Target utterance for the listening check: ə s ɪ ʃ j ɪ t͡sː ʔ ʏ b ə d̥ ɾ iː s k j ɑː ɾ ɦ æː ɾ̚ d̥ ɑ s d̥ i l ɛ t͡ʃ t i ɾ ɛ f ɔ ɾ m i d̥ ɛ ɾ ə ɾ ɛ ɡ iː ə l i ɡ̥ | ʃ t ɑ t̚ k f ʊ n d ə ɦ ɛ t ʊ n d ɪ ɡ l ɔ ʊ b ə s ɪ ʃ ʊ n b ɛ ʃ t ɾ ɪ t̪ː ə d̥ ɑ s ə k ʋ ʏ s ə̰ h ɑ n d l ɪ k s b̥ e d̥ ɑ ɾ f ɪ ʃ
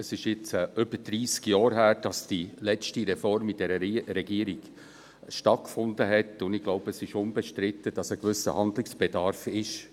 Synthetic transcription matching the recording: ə s ɪ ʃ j ɪ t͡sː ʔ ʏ b ə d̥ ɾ iː s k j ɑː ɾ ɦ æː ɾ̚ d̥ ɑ s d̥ i l ɛ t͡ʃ t i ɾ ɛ f ɔ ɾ m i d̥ ɛ ɾ ə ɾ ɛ ɡ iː ə ɾ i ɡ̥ | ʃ t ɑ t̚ k f ʊ n d ə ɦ ɛ t ʊ n d ɪ ɡ l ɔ ʊ b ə s ɪ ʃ ʊ n b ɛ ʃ t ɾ ɪ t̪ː ə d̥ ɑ s ə k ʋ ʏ s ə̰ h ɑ n d l ɪ k s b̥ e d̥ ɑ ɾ f ɪ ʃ